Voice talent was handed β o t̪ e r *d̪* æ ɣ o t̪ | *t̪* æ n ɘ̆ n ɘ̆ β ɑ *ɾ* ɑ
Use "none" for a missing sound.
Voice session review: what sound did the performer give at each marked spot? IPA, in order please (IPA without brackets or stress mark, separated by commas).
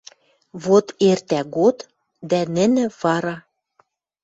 t̪, d̪, ɾ